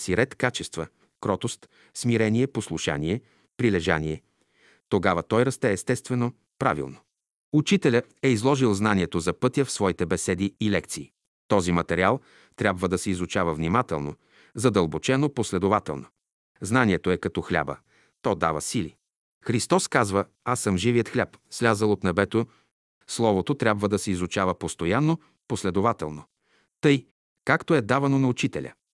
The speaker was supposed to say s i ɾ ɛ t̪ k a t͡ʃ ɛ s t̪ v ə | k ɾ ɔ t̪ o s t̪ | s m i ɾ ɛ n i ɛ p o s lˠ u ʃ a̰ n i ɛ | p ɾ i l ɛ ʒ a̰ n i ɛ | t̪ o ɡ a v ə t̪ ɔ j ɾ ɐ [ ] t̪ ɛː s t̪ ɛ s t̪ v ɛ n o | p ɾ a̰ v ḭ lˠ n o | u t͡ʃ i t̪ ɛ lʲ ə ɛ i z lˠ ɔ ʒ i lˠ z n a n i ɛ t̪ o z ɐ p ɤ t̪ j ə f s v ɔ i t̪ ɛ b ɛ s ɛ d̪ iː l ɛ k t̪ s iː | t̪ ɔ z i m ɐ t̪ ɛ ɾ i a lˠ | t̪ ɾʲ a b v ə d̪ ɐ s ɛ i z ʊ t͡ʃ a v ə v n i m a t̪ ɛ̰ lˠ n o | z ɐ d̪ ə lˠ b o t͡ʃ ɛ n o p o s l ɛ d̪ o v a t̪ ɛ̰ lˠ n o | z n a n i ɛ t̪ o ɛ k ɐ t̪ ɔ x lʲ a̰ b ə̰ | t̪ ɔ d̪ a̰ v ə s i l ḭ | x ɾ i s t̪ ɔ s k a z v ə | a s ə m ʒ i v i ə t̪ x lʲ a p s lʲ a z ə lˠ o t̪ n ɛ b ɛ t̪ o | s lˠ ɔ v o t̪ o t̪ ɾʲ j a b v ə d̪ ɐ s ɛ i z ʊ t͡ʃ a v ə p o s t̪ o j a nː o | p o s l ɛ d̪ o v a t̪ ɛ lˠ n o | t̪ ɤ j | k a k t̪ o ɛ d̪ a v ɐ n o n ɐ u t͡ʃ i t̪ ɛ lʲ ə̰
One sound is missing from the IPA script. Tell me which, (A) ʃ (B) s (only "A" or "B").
B